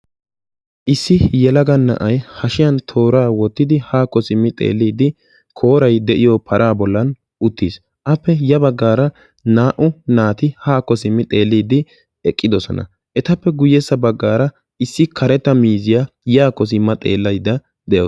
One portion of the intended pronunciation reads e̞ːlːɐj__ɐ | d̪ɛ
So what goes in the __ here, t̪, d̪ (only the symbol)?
d̪